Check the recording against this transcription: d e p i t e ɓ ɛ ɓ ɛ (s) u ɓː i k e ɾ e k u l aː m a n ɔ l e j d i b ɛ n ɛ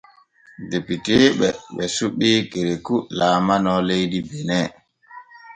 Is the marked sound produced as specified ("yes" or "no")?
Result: yes